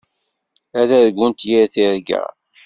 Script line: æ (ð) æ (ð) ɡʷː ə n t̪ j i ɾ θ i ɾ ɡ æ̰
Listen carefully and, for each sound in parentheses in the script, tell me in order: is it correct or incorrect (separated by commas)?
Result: correct, correct